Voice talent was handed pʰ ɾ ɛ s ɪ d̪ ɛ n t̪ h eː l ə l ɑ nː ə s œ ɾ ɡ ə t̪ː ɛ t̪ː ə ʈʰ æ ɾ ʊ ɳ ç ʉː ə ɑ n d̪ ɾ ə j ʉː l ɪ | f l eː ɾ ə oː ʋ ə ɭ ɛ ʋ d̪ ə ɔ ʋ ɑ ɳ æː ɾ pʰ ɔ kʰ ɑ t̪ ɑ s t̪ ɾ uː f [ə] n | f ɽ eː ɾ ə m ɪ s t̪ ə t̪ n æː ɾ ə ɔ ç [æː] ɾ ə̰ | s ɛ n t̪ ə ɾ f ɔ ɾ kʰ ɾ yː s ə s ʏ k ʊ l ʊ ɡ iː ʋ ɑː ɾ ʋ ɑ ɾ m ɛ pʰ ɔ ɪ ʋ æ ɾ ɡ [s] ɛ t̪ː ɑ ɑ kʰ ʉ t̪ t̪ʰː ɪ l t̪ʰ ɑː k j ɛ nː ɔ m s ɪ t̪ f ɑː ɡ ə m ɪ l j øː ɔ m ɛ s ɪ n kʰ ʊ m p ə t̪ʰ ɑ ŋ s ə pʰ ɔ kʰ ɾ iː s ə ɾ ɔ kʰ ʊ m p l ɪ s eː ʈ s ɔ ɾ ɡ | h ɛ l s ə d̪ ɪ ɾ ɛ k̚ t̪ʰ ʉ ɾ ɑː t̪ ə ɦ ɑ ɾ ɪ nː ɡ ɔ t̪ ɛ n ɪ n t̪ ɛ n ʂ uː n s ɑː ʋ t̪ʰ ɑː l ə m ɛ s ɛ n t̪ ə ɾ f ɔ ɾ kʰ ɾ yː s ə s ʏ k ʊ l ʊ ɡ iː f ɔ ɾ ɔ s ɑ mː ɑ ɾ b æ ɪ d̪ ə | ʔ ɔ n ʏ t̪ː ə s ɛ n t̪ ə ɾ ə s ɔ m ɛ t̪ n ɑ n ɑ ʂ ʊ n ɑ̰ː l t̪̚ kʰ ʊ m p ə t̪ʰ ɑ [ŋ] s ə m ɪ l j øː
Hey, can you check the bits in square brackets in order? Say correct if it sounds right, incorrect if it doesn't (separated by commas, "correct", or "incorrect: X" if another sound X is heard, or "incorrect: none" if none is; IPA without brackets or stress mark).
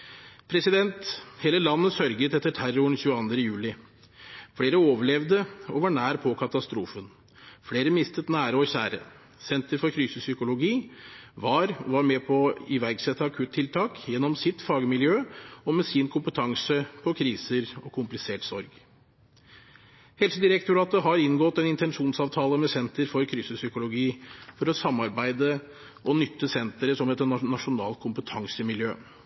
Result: correct, correct, correct, correct